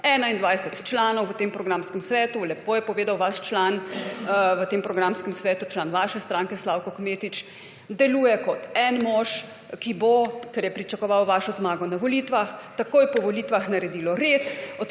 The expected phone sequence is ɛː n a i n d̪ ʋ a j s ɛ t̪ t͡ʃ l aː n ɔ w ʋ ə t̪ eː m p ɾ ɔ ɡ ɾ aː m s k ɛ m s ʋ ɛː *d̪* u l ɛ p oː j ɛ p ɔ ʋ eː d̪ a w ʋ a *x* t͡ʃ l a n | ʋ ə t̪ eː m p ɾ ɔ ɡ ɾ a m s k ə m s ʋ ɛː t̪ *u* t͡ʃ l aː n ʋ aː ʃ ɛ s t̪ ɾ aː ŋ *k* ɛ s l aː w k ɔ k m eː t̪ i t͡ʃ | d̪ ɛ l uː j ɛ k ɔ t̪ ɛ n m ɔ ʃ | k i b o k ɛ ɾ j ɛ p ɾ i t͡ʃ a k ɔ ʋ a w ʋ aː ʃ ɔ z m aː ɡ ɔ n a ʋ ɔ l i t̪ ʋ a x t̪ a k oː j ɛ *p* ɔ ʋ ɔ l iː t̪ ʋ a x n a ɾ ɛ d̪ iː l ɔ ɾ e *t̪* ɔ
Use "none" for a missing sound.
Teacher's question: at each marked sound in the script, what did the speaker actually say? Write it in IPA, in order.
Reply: t̪, ʃ, u, k, p, t̪

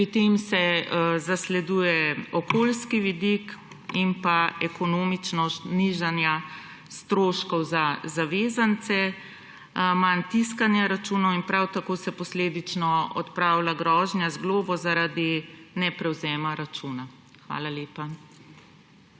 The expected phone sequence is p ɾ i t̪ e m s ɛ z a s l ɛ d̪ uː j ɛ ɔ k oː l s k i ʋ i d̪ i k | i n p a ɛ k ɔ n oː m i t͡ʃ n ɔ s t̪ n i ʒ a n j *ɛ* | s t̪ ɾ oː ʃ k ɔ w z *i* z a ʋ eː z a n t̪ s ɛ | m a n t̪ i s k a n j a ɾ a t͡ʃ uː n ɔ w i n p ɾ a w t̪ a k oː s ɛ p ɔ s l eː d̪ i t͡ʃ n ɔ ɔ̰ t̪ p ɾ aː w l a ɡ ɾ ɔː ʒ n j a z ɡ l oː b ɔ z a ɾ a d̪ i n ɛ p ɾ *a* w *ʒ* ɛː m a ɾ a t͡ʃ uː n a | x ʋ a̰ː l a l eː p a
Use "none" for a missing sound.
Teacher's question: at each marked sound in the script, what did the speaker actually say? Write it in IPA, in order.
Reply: a, a, ɛ, z

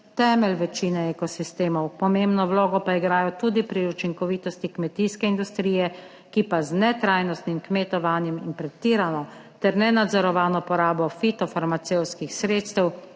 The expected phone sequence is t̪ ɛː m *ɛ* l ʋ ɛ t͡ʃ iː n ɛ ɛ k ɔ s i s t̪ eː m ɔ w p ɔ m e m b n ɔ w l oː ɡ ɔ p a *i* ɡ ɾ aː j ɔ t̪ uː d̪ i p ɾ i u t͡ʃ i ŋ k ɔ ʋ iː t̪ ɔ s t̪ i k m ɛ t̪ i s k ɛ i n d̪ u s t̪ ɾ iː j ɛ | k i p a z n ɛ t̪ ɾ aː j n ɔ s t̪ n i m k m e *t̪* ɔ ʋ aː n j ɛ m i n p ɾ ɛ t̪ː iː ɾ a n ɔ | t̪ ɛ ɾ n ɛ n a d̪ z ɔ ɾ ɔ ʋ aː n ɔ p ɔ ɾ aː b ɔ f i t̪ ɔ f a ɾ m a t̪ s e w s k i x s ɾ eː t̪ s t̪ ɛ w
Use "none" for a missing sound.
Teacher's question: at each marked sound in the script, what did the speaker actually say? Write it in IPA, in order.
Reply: ɛ, i, t̪

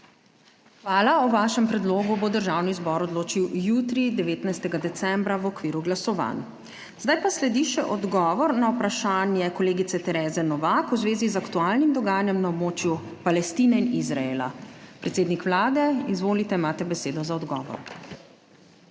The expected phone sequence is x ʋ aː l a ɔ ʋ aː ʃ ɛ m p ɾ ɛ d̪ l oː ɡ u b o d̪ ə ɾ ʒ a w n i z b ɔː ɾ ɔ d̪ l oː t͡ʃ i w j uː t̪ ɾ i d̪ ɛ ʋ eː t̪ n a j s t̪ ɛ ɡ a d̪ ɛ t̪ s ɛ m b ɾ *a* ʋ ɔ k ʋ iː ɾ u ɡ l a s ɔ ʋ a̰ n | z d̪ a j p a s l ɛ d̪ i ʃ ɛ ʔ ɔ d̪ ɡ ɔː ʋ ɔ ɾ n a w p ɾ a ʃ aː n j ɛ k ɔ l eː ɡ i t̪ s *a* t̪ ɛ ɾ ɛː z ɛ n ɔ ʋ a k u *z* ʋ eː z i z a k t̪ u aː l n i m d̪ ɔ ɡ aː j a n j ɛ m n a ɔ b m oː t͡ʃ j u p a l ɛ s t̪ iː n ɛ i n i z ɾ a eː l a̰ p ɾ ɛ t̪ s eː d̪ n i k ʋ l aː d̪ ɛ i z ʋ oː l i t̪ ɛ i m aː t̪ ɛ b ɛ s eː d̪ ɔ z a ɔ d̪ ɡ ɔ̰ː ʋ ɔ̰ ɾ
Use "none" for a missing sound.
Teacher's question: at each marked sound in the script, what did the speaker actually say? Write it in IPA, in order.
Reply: a, ɛ, z

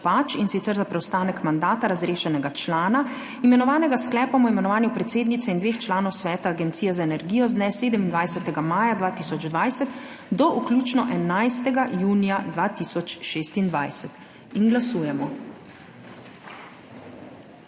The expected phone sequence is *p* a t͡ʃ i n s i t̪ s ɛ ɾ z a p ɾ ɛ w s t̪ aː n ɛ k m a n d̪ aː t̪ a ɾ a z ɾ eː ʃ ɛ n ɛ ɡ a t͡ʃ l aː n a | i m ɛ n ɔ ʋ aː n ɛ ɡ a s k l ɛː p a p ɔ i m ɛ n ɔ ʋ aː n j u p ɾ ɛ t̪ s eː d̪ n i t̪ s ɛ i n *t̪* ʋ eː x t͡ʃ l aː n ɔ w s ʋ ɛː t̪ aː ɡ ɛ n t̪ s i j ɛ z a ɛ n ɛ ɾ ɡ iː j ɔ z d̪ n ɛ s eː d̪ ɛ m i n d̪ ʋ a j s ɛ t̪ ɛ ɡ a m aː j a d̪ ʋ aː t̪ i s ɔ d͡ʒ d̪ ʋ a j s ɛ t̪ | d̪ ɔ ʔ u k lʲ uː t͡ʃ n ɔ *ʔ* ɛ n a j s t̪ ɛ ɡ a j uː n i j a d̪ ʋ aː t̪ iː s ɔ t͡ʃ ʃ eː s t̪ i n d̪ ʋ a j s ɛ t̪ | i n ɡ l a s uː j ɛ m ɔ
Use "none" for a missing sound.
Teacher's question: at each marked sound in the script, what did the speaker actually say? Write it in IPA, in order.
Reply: p, d̪, ʔ

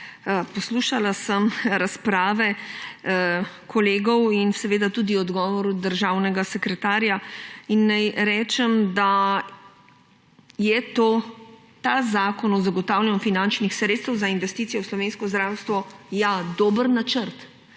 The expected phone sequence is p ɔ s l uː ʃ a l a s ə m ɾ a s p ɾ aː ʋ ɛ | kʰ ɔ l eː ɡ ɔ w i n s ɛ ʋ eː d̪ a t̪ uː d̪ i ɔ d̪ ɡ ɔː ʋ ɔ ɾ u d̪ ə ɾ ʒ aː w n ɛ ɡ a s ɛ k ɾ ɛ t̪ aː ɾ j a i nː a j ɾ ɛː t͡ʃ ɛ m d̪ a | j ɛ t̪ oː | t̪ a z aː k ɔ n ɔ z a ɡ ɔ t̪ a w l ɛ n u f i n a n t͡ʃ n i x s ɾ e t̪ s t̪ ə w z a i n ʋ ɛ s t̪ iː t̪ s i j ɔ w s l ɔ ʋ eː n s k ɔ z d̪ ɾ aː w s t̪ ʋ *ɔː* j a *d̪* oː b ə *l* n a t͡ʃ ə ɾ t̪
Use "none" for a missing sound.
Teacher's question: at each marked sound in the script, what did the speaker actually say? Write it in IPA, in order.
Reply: ɔ, d̪, ɾ

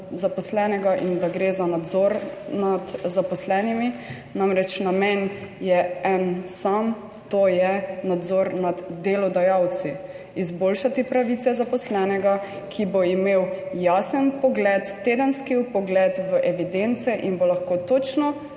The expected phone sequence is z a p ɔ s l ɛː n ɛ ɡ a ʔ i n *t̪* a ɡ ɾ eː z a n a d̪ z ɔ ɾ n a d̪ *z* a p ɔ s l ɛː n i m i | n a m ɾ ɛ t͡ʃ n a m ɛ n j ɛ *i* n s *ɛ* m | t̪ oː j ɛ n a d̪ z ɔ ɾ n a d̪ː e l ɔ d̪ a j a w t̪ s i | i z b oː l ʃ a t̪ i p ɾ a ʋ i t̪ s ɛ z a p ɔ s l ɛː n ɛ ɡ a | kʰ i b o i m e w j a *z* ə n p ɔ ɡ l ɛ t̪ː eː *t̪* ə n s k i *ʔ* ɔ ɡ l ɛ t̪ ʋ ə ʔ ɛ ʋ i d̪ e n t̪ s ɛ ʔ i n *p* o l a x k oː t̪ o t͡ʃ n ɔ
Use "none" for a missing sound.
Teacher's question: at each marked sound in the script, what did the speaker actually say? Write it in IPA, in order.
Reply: d̪, z, ɛ, a, s, d̪, p, b

